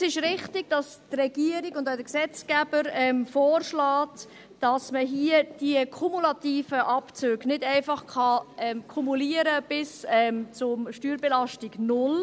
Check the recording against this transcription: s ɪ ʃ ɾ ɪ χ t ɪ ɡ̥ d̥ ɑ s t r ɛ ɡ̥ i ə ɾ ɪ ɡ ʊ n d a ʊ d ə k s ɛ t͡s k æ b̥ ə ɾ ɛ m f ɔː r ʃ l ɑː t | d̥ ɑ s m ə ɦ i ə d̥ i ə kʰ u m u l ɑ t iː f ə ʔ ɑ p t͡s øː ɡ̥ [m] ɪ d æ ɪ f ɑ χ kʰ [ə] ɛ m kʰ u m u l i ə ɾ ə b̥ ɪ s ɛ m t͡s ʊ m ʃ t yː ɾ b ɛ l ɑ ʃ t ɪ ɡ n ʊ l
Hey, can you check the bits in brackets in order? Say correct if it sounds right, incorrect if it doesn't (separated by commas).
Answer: incorrect, incorrect